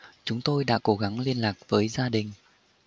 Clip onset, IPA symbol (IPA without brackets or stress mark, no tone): t͡ɕ